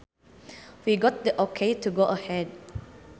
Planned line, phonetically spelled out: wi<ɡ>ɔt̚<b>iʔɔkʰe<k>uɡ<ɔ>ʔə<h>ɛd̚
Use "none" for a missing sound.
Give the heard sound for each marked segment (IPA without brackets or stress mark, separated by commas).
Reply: ɡ, d, t, o, h